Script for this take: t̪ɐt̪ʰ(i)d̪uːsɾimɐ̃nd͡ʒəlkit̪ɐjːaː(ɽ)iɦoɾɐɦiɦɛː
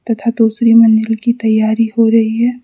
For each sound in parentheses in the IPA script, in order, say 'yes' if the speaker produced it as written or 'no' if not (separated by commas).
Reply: no, no